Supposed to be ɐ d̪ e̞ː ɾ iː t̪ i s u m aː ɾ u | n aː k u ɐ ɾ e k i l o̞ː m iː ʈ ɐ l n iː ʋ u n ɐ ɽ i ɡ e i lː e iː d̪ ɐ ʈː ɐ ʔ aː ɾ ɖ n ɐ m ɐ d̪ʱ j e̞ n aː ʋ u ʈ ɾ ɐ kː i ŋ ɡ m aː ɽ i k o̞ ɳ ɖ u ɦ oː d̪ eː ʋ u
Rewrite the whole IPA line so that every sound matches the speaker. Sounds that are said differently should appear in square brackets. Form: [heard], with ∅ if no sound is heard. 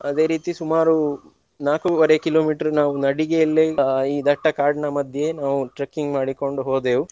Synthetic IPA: ɐ d̪ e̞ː ɾ iː t̪ i s u m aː ɾ u | n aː k u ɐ ɾ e k i l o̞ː m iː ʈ ɐ [ɾ] n [aː] ʋ u n ɐ ɽ i ɡ e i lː e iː d̪ ɐ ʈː ɐ [k] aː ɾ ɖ n ɐ m ɐ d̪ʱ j e̞ n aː ʋ u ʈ ɾ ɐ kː i ŋ ɡ m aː ɽ i k o̞ ɳ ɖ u ɦ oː d̪ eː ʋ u

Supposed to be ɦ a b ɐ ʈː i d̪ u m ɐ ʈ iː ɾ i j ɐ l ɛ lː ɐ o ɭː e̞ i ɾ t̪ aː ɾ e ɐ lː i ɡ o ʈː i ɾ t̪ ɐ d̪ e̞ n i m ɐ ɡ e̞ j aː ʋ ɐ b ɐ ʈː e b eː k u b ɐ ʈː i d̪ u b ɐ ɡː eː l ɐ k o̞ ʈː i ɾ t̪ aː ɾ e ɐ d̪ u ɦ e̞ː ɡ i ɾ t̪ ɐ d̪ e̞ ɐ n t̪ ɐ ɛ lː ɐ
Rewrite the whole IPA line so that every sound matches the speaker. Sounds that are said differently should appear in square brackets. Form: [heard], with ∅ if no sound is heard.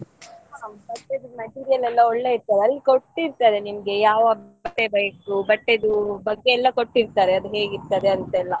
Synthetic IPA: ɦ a b ɐ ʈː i d̪ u m ɐ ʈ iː ɾ i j ɐ l ɛ lː ɐ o ɭː e̞ i ɾ t̪ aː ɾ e ɐ lː i [k] o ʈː i ɾ t̪ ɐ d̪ e̞ n i m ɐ ɡ e̞ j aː ʋ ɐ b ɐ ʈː e b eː k u b ɐ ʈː i d̪ u b ɐ ɡː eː [lː] ɐ k o̞ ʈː i ɾ t̪ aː ɾ e ɐ d̪ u ɦ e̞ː ɡ i ɾ t̪ ɐ d̪ e̞ ɐ n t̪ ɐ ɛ lː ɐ

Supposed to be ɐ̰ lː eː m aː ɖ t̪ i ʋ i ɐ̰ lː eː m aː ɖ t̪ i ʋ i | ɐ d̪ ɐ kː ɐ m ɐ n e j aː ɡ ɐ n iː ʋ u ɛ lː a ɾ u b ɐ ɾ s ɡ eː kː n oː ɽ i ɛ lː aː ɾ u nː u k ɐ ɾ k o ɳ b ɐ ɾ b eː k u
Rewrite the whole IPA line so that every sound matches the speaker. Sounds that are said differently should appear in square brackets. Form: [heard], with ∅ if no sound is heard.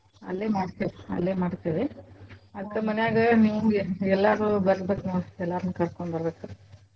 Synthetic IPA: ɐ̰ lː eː m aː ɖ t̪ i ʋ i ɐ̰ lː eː m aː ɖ t̪ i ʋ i | ɐ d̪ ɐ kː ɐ m ɐ n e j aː ɡ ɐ n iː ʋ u ɛ lː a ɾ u b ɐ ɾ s [b] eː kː n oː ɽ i ɛ lː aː ɾ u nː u k ɐ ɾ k o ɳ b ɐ ɾ b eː k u

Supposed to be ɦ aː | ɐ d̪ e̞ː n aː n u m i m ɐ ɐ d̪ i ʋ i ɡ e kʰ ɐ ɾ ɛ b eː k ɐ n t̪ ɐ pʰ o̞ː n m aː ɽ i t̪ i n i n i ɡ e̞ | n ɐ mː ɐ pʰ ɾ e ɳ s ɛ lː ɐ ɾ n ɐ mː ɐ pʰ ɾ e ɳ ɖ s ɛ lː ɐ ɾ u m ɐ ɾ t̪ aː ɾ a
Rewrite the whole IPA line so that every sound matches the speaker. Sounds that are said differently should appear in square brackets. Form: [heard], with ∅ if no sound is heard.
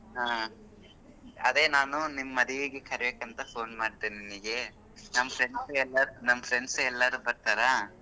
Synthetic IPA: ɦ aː | ɐ d̪ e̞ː n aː n u [n] i m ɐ ɐ d̪ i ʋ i ɡ e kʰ ɐ ɾ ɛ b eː k ɐ n t̪ ɐ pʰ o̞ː n m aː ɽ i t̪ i n i n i ɡ e̞ | n ɐ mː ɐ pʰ ɾ e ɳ s ɛ lː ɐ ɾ n ɐ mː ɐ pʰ ɾ e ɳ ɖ s ɛ lː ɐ ɾ u [b] ɐ ɾ t̪ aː ɾ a

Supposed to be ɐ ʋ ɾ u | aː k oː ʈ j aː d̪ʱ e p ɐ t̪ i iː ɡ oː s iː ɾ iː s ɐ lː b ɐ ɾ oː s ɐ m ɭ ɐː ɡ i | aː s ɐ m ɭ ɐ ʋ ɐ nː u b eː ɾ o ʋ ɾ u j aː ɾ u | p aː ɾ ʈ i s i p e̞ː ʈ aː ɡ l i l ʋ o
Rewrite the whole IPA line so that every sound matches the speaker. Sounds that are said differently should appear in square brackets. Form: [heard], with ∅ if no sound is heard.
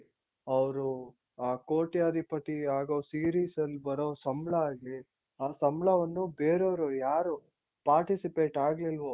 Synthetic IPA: ɐ ʋ ɾ u | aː k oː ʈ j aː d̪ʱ [i] p ɐ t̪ i [aː] ɡ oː s iː ɾ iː s ɐ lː b ɐ ɾ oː s ɐ m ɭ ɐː ɡ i | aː s ɐ m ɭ ɐ ʋ ɐ nː u b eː ɾ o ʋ ɾ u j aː ɾ u | p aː ɾ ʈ i s i p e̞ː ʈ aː ɡ l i l ʋ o

